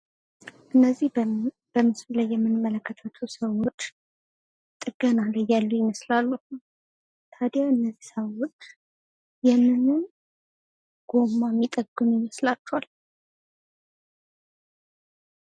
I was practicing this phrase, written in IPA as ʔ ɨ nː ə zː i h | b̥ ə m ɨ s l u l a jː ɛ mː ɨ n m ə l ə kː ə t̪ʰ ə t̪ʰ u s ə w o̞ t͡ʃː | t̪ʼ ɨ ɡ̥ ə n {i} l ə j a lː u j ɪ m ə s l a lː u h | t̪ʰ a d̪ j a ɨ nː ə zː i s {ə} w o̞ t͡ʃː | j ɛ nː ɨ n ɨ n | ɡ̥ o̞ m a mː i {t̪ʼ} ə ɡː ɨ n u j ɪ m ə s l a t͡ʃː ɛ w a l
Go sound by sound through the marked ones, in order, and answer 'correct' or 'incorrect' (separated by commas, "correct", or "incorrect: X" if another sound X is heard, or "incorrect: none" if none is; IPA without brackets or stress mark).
incorrect: a, correct, correct